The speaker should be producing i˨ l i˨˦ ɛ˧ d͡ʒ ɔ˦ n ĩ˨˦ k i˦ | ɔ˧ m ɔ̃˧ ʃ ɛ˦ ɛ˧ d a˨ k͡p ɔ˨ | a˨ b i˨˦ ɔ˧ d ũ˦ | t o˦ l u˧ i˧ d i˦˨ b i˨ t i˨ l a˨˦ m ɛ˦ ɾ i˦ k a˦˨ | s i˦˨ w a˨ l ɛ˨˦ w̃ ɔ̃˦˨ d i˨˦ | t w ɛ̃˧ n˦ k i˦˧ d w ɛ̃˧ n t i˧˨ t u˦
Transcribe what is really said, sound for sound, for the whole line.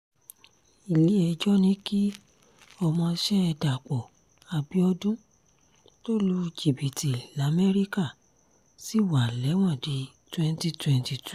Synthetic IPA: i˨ l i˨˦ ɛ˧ d͡ʒ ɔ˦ n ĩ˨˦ k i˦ | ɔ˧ m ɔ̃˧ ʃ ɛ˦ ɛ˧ d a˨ k͡p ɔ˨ | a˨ b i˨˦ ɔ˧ d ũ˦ | t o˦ l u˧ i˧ d͡ʒ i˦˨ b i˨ t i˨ l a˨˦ m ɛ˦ ɾ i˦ k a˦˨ | s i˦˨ w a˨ l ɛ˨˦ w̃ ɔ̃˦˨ d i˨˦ | t w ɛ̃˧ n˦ t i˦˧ t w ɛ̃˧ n t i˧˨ t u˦